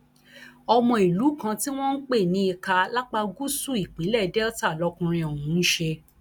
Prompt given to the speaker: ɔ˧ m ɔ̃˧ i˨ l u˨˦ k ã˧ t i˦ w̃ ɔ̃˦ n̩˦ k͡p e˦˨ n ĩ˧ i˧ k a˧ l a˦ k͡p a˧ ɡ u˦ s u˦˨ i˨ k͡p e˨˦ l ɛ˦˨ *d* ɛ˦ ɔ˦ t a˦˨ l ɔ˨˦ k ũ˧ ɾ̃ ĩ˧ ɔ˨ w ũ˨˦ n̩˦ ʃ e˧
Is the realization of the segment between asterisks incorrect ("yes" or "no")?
no